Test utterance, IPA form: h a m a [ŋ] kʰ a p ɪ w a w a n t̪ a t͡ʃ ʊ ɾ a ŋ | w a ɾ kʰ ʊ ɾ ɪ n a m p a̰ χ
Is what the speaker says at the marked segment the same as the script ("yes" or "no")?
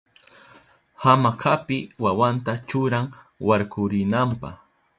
no